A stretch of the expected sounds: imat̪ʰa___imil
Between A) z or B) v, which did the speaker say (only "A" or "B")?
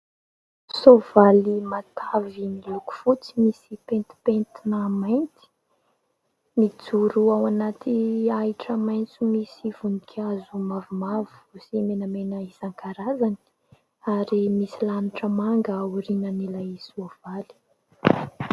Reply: B